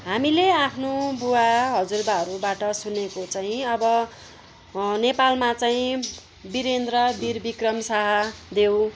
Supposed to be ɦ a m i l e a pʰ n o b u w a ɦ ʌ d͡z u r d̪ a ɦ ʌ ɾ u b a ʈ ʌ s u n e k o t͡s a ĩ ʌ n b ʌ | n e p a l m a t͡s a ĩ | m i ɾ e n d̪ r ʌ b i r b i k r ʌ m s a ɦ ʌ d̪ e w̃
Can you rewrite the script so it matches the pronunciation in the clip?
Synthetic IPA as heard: ɦ a m i l e a pʰ n o b u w a ɦ ʌ d͡z u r d̪ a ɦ ʌ ɾ u b a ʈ ʌ s u n e k o t͡s a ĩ ʌ b ʌ | n e p a l m a t͡s a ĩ | b i ɾ e n d̪ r ʌ b i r b i k r ʌ m s a ɦ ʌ d̪ e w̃